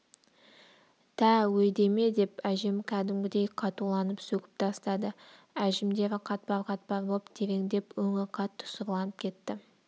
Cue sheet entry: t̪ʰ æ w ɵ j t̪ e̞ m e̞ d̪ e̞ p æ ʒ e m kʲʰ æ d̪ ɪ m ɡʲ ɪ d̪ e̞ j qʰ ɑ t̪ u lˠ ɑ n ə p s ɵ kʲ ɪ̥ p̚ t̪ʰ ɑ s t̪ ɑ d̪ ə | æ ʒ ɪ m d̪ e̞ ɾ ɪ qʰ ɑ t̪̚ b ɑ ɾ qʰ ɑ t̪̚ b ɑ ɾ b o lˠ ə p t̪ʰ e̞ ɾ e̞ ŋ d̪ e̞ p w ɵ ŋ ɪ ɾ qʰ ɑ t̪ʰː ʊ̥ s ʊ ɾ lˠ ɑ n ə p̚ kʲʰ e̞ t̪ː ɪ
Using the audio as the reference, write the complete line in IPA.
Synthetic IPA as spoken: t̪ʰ æ w ɵ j d̪ e̞ m e̞ d̪ e̞ p æ ʒ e m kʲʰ æ d̪ ɪ m ɡʲ ɪ d̪ e̞ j qʰ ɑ t̪ u lˠ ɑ n ə p s ɵ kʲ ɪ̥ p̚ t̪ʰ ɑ s t̪ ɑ d̪ ə | æ ʒ ɪ m d̪ e̞ ɾ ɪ qʰ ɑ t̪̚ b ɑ ɾ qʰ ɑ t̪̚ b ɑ ɾ b o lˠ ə p t̪ʰ e̞ ɾ e̞ ŋ d̪ e̞ p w ɵ ŋ ɪ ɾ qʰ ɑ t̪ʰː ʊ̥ s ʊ ɾ lˠ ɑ n ə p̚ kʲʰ e̞ t̪ː ɪ